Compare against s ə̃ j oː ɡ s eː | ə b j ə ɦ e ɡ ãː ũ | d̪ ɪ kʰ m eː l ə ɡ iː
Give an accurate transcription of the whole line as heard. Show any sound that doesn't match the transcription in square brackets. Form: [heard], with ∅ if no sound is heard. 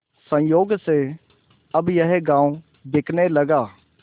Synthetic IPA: s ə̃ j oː ɡ s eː | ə b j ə ɦ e ɡ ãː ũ | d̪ ɪ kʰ [n] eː l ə ɡ [aː]